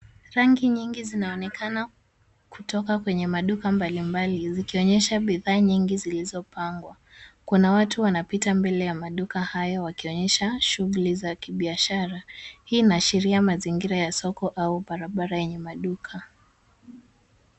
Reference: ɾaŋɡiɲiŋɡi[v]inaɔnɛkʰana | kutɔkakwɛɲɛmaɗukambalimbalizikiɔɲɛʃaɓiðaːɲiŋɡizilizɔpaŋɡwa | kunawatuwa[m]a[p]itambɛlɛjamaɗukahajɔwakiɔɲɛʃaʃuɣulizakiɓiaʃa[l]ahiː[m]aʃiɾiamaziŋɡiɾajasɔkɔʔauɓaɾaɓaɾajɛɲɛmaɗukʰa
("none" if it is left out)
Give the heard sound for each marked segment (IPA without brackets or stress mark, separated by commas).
z, n, p, ɾ, n